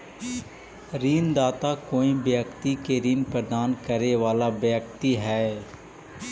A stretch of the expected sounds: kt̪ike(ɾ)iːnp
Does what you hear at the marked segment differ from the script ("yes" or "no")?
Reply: no